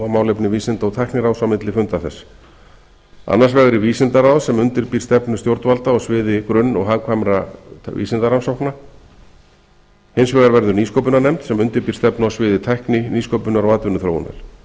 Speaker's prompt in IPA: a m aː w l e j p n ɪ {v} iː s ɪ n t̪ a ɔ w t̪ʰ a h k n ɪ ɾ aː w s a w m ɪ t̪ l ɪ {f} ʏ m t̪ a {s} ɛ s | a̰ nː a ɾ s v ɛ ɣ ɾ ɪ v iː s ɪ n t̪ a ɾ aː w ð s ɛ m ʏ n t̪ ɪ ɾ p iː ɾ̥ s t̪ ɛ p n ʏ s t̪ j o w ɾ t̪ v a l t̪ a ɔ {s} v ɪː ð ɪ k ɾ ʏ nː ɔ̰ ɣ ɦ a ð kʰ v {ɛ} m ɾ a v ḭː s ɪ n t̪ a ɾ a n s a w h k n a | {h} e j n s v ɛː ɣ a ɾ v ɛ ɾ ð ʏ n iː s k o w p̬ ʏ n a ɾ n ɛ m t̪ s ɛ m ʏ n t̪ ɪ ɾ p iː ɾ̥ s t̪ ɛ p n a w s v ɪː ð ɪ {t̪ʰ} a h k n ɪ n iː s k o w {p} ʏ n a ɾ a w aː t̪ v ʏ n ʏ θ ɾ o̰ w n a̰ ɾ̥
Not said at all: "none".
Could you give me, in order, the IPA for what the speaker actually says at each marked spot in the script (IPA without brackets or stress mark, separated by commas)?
v, f, θ, s, a, h, t̪ʰ, p